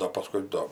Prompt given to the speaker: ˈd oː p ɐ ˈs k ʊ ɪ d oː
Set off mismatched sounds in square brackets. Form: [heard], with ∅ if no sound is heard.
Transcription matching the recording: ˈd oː p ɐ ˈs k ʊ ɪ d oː